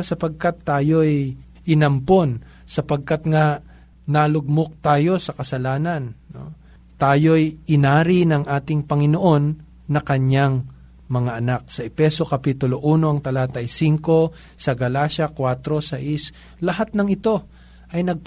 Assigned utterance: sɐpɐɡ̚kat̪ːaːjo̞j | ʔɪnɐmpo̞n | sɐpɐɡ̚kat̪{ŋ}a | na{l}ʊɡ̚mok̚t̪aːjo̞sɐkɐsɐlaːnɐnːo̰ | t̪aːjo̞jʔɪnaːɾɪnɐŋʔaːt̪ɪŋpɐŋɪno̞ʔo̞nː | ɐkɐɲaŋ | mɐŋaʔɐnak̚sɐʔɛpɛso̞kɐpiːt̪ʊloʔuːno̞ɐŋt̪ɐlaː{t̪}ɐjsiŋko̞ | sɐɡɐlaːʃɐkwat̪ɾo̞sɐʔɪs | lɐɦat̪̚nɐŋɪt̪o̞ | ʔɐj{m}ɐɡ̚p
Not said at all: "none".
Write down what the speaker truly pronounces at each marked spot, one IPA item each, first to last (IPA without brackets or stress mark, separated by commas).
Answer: ŋ, l, t̪, n